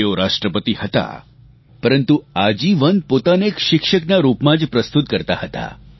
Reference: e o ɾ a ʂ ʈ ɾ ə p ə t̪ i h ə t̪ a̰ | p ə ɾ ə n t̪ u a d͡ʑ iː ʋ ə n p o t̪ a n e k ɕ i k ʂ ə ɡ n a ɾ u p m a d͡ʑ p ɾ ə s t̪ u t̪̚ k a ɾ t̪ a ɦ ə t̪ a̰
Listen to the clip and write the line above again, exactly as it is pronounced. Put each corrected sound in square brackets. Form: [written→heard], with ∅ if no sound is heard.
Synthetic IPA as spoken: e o ɾ a ʂ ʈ ɾ ə p ə t̪ i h ə t̪ a̰ | p ə ɾ ə n t̪ u a d͡ʑ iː ʋ ə n p o t̪ a n e k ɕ i k ʂ ə [ɡ→k] n a ɾ u p m a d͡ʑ p ɾ ə s t̪ u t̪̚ k [a→ə] ɾ t̪ a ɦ ə t̪ a̰

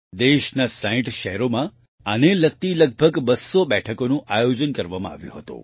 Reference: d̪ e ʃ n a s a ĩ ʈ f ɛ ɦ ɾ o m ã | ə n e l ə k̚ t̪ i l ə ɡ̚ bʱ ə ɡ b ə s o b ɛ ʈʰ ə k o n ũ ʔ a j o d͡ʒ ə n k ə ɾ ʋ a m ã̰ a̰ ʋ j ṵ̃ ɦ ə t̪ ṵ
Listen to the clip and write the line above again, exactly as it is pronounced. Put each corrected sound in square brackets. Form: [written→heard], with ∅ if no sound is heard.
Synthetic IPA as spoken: d̪ e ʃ n a s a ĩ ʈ [f→ʃ] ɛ ɦ ɾ o m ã | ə n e l ə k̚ t̪ i l ə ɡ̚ bʱ ə ɡ b ə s o b ɛ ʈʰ ə k o n ũ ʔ a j o d͡ʒ ə n k ə ɾ ʋ a m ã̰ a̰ ʋ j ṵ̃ ɦ ə t̪ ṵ

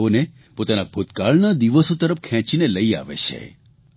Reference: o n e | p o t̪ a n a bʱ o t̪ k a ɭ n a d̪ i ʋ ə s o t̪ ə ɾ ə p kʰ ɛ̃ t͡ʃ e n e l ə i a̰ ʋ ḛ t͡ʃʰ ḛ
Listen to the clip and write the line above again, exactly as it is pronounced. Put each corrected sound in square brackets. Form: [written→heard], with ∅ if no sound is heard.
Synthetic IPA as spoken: o n e | p o t̪ a n a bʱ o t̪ k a ɭ n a d̪ i ʋ ə s o t̪ ə ɾ ə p kʰ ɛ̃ t͡ʃ [e→i] n e l ə i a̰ ʋ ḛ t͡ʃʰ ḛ

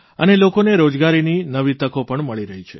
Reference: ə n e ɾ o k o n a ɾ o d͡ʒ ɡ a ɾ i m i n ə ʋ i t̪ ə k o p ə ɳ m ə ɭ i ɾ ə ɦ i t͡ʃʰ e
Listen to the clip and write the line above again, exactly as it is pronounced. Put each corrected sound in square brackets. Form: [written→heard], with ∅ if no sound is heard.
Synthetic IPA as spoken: ə n e [ɾ→l] o k o n [a→e] ɾ o d͡ʒ ɡ a ɾ i [m→n] i n ə ʋ i t̪ ə k o p ə ɳ m ə ɭ i ɾ ə ɦ i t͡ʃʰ e

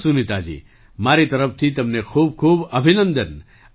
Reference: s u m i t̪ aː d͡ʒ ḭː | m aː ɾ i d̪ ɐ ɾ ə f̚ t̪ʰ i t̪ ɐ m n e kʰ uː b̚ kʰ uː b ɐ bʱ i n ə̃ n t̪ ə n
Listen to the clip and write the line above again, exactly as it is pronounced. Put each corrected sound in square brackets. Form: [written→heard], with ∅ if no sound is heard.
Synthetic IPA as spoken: s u [m→n] i t̪ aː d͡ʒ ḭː | m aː ɾ i [d̪→t̪] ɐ ɾ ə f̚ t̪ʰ i t̪ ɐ m n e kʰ uː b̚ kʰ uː b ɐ bʱ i n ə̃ n [t̪→d̪] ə n

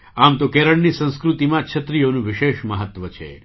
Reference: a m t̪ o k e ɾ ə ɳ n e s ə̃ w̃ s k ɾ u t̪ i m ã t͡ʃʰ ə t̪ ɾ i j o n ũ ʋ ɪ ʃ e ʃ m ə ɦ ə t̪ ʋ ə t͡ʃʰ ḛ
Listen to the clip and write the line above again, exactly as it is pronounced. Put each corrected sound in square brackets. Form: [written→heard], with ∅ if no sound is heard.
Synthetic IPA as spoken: a m t̪ o k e ɾ ə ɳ n [e→i] s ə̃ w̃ s k ɾ u t̪ i m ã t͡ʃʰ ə t̪ ɾ i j o n ũ ʋ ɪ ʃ e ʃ m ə ɦ ə t̪ ʋ ə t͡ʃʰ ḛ

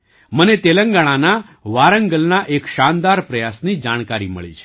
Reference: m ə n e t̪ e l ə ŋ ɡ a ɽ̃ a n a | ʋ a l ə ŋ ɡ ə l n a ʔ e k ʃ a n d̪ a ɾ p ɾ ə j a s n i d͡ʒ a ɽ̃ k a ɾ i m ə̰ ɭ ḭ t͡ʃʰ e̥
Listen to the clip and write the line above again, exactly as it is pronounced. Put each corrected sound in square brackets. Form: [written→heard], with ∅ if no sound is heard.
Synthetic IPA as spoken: m ə n e t̪ e l ə ŋ ɡ a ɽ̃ a n a | ʋ a [l→ɾ] ə ŋ ɡ ə l n a ʔ e k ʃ a n d̪ a ɾ p ɾ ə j a s n i d͡ʒ a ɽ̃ k a ɾ i m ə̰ ɭ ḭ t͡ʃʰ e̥

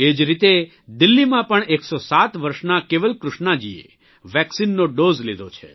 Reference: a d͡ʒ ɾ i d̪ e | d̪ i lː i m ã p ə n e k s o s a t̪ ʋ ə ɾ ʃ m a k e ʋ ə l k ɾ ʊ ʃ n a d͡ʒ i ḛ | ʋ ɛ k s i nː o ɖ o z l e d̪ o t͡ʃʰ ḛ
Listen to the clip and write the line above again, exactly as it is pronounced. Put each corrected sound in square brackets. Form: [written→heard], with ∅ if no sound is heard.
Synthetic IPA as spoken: [a→e] d͡ʒ ɾ i [d̪→t̪] e | d̪ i lː i m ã p ə [n→ɳ] e k s o s a t̪ ʋ ə ɾ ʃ [m→n] a k e ʋ ə l k ɾ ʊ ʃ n a d͡ʒ i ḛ | ʋ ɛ k s i nː o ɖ o z l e d̪ o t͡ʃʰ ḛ

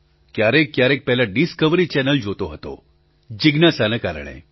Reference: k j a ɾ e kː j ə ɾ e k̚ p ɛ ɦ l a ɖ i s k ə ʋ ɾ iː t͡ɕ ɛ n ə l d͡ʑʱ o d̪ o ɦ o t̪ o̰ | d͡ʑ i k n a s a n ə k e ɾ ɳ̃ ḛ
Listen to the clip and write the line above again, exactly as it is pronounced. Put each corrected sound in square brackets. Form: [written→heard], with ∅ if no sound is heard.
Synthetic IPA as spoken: k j a ɾ e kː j [ə→a] ɾ e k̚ p ɛ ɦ l a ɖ i s k ə ʋ ɾ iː t͡ɕ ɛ n ə l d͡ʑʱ o [d̪→t̪] o ɦ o t̪ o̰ | d͡ʑ i [k→ɡ] n a s a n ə k [e→a] ɾ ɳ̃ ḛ

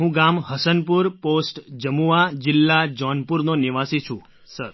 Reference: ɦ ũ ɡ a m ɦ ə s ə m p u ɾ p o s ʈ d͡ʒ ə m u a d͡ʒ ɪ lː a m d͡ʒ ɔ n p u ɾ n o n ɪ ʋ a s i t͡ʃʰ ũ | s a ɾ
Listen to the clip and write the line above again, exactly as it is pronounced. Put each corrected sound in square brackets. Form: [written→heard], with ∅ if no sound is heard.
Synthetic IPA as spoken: ɦ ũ ɡ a m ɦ ə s ə [m→n] p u ɾ p o s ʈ d͡ʒ ə m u a d͡ʒ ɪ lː a [m→∅] d͡ʒ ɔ n p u ɾ n o n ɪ ʋ a s i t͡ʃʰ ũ | s [a→ə] ɾ

